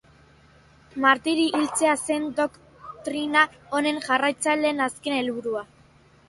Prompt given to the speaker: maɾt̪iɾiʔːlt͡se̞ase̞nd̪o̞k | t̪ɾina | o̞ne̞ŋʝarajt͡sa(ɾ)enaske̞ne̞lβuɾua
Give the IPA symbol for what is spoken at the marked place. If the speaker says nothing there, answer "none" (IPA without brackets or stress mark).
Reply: l